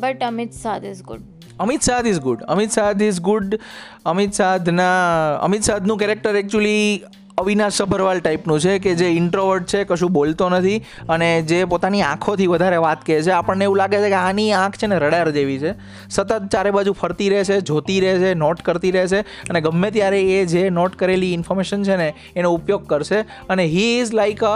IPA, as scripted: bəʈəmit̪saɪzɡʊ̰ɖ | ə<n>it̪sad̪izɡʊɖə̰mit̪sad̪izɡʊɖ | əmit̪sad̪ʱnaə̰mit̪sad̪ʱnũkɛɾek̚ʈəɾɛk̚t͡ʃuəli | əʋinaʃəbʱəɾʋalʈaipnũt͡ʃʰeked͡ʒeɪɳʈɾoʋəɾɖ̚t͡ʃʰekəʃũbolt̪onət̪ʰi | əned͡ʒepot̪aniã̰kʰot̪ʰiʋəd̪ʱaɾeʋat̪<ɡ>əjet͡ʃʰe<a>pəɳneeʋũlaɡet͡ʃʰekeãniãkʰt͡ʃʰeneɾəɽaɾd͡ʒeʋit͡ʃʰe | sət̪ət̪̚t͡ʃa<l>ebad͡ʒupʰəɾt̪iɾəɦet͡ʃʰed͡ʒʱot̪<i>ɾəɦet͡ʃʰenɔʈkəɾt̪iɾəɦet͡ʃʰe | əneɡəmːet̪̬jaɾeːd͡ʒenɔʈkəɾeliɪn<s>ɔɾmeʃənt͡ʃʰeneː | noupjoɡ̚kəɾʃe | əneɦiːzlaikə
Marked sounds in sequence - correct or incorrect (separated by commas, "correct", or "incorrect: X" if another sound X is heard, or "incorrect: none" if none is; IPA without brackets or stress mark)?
incorrect: m, incorrect: k, correct, incorrect: ɾ, correct, incorrect: f